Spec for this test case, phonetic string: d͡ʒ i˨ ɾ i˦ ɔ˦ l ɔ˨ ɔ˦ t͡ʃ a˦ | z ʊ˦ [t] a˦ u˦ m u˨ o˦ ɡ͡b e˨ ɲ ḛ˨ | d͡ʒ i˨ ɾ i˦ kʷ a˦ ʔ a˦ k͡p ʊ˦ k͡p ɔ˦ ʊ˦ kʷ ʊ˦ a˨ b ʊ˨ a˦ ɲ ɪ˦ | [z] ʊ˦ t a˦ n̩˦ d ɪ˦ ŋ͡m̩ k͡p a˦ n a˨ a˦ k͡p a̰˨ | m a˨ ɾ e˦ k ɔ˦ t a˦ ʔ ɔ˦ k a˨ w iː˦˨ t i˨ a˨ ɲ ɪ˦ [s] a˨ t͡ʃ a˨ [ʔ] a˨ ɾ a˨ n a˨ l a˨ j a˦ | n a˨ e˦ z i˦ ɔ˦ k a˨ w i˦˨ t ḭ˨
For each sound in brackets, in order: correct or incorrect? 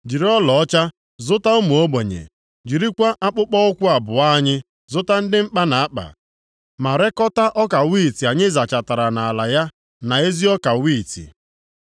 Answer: correct, correct, incorrect: z, incorrect: t

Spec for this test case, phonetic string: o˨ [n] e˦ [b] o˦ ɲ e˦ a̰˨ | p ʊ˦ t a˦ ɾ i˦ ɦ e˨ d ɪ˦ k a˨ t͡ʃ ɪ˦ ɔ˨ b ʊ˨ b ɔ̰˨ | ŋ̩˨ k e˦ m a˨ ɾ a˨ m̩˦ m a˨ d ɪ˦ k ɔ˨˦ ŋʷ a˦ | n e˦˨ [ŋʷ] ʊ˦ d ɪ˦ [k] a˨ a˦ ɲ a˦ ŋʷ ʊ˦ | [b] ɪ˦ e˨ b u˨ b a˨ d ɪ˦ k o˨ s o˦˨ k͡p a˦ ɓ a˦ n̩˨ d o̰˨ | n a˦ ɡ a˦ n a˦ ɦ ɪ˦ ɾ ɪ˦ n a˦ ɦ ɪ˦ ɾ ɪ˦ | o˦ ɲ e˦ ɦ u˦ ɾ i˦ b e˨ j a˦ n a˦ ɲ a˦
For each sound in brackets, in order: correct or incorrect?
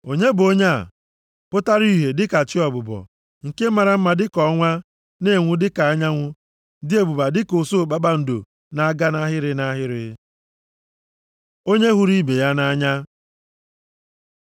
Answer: incorrect: ɲ, correct, correct, correct, incorrect: d

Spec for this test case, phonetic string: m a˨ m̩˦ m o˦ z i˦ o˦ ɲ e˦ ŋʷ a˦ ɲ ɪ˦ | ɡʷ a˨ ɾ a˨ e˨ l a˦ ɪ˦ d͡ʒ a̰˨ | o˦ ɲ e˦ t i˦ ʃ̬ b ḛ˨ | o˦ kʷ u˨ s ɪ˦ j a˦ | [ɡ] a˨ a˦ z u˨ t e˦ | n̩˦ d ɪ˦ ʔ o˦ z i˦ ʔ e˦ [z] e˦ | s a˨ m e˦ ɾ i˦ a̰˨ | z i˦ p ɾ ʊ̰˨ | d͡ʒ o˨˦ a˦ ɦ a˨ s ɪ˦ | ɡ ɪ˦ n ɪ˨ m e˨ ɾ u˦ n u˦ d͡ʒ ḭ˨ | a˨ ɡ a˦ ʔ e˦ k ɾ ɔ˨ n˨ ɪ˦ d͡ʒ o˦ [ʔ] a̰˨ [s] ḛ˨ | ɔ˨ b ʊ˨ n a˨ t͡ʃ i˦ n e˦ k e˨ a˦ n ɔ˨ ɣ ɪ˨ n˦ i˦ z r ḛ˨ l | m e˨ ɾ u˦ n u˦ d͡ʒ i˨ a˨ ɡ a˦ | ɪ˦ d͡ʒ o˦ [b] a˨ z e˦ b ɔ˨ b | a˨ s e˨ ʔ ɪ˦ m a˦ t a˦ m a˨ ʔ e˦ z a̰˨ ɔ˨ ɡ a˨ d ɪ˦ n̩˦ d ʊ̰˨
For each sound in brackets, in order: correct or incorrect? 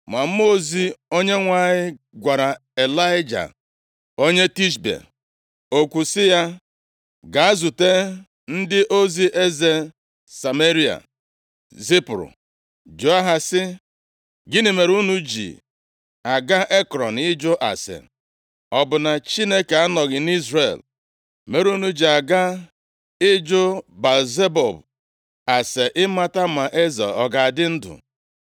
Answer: correct, correct, correct, correct, correct

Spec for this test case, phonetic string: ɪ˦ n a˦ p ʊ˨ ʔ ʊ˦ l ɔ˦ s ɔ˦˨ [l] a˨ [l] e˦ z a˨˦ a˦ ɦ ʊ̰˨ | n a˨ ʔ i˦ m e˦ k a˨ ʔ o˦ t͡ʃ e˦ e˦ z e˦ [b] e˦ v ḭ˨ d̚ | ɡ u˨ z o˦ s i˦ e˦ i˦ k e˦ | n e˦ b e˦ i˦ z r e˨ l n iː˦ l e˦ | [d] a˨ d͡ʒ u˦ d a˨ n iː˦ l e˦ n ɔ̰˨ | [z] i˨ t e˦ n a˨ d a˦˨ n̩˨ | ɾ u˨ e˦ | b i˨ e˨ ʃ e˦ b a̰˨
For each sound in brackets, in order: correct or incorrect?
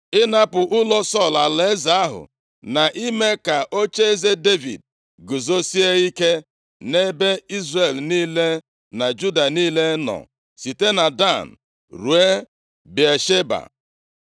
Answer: correct, correct, incorrect: d, incorrect: n, incorrect: s

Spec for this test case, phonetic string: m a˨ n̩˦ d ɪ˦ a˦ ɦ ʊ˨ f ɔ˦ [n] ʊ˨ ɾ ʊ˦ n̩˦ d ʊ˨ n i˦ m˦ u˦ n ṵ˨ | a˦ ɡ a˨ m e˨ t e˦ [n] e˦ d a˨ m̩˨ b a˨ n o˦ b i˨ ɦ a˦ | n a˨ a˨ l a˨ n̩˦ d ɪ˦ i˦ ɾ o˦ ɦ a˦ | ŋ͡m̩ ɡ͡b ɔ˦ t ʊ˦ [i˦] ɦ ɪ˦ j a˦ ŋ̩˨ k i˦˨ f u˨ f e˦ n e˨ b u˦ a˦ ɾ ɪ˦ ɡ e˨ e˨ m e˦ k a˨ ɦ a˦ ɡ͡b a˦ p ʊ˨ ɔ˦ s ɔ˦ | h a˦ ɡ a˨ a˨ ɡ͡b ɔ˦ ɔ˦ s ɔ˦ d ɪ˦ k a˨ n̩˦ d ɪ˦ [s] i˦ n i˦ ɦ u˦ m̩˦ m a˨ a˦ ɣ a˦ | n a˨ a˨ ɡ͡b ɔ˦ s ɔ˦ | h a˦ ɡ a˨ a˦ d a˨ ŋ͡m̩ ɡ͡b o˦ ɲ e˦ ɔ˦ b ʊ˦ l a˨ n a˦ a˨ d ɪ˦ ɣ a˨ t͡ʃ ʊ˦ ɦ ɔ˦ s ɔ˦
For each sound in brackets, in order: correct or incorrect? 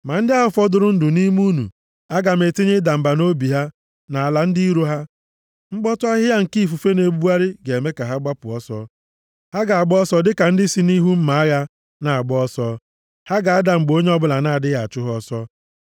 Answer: incorrect: d, incorrect: ɲ, incorrect: a˦, correct

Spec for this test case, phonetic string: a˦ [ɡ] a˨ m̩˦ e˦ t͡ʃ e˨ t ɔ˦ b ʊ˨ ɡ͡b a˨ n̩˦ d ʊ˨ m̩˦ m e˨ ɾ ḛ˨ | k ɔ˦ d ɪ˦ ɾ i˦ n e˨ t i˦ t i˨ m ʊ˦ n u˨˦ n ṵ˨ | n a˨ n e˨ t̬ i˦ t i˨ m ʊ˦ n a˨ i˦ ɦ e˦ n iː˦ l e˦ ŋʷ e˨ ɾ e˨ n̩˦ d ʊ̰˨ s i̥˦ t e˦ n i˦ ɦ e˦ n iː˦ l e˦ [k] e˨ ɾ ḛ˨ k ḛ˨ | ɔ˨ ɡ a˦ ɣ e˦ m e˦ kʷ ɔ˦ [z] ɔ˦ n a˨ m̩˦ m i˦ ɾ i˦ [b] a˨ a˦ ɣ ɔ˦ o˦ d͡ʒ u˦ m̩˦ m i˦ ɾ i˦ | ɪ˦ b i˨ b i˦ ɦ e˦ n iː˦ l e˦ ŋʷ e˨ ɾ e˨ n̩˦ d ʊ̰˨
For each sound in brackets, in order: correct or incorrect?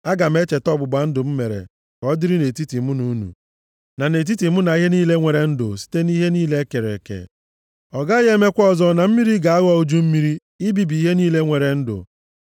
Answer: correct, correct, correct, incorrect: ɡ

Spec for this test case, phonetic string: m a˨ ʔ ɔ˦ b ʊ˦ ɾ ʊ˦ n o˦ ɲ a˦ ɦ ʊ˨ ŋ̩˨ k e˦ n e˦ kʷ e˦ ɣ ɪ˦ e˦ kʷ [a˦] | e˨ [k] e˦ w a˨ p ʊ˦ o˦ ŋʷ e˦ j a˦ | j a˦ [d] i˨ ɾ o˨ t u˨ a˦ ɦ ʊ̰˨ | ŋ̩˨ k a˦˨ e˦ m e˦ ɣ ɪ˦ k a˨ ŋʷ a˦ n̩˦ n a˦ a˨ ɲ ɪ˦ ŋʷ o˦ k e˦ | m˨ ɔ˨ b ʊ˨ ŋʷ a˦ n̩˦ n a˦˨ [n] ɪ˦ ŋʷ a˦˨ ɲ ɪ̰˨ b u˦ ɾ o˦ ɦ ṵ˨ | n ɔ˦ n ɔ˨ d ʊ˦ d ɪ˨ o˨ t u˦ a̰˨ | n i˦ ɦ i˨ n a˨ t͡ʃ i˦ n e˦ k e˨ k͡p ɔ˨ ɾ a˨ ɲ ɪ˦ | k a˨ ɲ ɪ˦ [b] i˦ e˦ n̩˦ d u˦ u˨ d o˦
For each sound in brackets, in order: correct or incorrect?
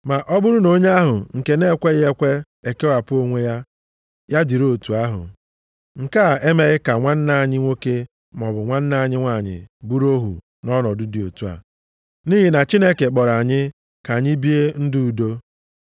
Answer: incorrect: e˦, correct, correct, incorrect: ɲ, correct

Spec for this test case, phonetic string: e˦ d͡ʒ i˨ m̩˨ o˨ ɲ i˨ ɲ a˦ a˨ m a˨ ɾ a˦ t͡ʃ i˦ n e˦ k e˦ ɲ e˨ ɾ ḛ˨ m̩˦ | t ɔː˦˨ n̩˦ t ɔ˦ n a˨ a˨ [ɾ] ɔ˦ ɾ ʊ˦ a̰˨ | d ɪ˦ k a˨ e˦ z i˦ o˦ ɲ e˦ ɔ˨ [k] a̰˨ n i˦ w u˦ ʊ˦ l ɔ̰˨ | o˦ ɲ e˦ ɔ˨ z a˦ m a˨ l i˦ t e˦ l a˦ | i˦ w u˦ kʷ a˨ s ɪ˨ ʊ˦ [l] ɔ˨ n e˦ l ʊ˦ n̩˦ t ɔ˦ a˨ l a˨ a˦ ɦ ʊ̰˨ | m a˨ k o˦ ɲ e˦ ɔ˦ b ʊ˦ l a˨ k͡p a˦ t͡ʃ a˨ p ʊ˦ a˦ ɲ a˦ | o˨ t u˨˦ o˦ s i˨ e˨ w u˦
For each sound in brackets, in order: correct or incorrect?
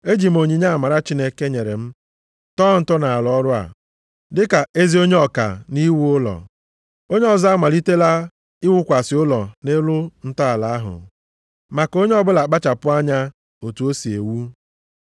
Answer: incorrect: l, correct, correct

